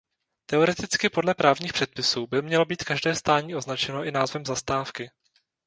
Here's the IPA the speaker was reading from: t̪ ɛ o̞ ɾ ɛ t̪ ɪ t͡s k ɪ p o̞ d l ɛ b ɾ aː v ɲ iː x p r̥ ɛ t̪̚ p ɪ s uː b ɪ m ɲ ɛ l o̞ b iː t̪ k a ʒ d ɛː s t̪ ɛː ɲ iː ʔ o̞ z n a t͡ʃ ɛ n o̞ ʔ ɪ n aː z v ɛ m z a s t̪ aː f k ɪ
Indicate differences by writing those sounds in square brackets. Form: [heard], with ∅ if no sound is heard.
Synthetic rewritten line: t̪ ɛ o̞ ɾ ɛ t̪ ɪ t͡s k ɪ p o̞ d l ɛ [p] ɾ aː v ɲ iː x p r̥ ɛ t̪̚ p ɪ s uː b ɪ m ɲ ɛ l o̞ b iː t̪ k a ʒ d ɛː s t̪ [aː] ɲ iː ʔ o̞ z n a t͡ʃ ɛ n o̞ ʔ ɪ n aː z v ɛ m z a s t̪ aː f k ɪ